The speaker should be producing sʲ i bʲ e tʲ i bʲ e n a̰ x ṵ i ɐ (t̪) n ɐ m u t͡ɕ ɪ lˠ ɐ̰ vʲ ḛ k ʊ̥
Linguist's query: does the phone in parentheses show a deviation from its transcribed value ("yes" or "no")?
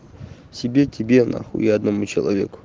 yes